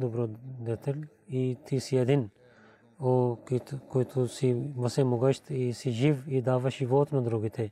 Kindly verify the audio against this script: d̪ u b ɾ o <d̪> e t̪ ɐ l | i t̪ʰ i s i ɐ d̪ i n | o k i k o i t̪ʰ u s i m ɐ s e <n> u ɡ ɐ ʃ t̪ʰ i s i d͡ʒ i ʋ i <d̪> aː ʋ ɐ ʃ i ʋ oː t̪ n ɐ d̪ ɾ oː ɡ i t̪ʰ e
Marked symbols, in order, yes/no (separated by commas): yes, no, yes